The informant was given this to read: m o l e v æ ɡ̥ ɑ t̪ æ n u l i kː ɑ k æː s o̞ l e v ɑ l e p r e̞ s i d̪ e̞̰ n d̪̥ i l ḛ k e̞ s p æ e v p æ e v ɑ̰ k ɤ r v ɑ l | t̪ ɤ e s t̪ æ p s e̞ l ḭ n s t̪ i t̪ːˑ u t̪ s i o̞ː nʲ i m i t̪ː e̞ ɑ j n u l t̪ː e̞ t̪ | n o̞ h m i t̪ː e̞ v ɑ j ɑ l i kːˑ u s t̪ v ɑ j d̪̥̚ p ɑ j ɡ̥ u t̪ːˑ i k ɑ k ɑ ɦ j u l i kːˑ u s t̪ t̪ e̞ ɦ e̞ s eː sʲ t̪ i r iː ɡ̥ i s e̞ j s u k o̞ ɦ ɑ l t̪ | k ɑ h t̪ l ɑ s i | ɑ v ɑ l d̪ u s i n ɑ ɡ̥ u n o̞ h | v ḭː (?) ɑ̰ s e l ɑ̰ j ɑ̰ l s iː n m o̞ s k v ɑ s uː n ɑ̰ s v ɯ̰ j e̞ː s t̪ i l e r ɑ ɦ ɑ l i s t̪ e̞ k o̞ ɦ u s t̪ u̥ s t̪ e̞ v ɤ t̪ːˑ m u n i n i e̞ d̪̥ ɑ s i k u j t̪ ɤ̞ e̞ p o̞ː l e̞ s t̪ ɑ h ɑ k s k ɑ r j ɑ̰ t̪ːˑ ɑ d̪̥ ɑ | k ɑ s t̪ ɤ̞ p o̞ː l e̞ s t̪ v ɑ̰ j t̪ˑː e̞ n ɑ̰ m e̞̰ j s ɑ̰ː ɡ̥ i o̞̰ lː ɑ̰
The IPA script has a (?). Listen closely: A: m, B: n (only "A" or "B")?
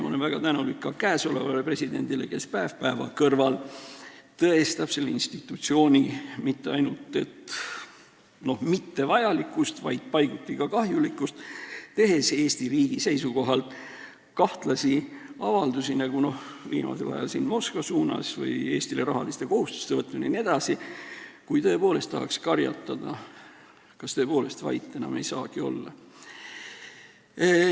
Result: A